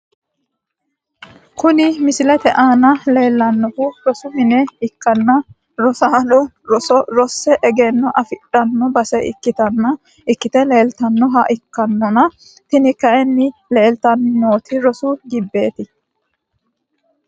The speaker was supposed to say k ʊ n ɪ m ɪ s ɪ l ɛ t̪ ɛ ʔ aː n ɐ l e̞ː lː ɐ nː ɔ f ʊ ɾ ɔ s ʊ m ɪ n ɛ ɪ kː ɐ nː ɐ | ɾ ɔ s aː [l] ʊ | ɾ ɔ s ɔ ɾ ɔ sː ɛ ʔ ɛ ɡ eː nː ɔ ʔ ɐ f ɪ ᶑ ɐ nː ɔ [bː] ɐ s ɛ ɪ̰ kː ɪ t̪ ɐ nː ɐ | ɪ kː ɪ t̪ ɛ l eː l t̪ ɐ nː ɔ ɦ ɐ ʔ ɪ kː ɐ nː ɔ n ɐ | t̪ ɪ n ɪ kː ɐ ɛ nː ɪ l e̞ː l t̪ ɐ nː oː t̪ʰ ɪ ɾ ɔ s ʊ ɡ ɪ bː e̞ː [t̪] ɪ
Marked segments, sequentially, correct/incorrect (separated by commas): correct, incorrect, correct